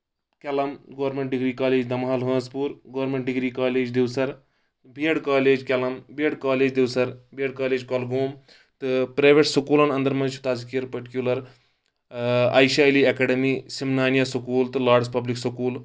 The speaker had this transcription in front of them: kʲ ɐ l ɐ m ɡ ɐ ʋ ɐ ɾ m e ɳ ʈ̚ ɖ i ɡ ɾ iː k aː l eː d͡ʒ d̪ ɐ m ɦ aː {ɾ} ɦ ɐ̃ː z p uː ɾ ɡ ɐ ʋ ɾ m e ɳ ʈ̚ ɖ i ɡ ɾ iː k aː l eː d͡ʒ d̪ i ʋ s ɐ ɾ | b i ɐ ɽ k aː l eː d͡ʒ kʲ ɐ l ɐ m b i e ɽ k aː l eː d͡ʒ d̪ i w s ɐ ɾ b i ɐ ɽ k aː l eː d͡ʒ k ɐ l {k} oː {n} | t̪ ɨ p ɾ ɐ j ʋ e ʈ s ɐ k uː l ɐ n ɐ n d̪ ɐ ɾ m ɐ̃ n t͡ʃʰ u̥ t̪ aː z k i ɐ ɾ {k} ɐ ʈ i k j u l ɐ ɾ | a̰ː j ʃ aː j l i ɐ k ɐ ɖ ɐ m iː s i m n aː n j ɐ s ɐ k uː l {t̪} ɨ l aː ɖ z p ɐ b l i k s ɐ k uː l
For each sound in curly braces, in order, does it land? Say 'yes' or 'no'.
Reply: no, no, no, no, yes

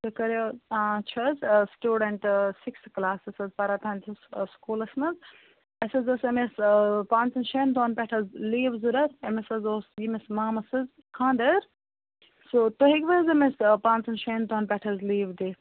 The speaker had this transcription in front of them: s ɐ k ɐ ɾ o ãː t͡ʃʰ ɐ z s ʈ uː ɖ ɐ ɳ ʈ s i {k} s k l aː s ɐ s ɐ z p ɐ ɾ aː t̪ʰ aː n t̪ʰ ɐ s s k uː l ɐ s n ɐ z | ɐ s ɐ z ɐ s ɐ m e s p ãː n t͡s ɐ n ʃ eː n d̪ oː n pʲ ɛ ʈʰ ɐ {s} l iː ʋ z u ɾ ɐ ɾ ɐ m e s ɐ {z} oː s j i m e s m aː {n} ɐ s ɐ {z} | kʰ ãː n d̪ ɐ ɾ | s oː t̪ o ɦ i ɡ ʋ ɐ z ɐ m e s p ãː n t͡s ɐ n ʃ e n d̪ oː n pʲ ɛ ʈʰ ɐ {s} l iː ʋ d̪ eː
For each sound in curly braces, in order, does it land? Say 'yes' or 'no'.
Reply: yes, no, yes, no, yes, no

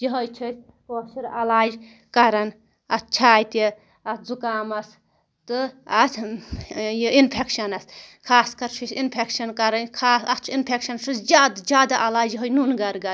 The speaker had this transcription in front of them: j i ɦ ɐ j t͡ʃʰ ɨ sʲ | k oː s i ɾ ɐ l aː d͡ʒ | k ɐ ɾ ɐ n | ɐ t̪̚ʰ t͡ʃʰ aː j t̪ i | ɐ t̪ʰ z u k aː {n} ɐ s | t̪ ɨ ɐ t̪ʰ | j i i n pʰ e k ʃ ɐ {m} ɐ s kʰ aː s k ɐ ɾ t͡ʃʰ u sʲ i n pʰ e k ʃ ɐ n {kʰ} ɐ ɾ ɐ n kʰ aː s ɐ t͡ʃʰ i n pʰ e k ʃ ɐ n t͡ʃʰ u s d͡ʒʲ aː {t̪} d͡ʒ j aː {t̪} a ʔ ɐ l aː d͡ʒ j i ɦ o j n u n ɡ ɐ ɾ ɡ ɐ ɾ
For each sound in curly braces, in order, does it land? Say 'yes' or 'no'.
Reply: no, no, no, no, no

